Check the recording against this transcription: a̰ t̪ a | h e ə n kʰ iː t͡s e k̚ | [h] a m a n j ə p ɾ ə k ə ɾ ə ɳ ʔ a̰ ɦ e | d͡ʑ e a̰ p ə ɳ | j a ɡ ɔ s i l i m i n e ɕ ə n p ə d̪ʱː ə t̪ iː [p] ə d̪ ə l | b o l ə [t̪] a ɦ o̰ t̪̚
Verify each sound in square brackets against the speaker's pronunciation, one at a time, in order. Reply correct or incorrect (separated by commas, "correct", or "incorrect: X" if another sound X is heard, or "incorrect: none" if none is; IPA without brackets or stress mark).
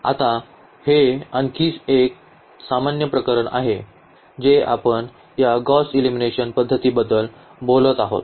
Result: incorrect: s, incorrect: b, correct